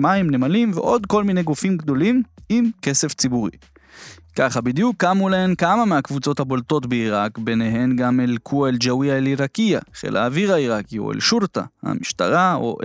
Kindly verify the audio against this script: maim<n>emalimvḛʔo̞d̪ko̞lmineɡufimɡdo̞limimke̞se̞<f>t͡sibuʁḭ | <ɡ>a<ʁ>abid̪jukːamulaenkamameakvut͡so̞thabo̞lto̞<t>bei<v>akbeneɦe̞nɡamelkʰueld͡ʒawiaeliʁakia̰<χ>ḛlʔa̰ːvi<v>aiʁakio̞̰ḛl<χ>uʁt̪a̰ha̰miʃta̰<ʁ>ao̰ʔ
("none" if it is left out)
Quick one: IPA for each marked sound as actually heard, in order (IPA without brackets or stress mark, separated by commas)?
n, f, k, χ, t, ʁ, χ, ʁ, ʃ, ʁ